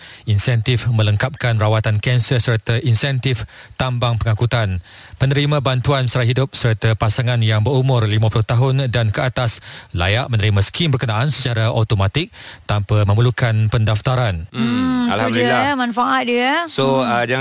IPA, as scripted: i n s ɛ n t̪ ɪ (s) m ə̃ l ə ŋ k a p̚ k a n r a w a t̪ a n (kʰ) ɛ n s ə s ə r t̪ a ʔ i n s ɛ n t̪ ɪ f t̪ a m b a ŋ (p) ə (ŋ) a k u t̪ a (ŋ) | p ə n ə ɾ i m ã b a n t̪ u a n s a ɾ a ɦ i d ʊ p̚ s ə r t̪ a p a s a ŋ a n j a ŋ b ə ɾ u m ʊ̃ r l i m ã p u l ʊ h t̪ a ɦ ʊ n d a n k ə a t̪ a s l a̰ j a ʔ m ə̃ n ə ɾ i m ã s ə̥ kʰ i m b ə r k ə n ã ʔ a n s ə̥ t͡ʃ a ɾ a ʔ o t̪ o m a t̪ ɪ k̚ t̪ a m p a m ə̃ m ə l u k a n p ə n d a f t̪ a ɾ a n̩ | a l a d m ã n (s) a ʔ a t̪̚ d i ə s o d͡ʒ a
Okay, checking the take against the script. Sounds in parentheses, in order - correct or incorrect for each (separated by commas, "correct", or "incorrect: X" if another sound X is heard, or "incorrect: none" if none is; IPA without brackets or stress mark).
incorrect: f, incorrect: k, correct, correct, incorrect: n, incorrect: f